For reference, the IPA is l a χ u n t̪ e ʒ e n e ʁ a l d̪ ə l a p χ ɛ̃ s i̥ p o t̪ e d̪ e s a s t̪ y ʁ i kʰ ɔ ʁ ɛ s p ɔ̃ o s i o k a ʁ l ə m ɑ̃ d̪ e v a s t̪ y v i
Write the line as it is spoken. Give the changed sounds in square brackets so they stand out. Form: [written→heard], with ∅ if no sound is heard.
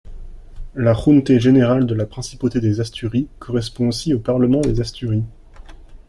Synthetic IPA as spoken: l a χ u n t̪ e ʒ e n e ʁ a l d̪ ə l a p χ ɛ̃ s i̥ p o t̪ e d̪ e [s→z] a s t̪ y ʁ i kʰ ɔ ʁ ɛ s p ɔ̃ o s i o [k→p] a ʁ l ə m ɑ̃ d̪ e [v→z] a s t̪ y [v→ʁ] i